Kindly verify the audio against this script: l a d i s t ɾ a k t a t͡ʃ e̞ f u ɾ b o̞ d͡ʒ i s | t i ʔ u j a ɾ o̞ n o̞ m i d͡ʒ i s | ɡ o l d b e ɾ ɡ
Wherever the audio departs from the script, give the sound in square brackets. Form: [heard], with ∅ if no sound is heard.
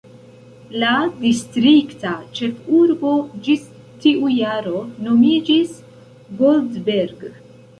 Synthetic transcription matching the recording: l a d i s t ɾ [i] k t a t͡ʃ e̞ f u ɾ b o̞ d͡ʒ i s | t i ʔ u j a ɾ o̞ n o̞ m i d͡ʒ i s | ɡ o l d b e ɾ ɡ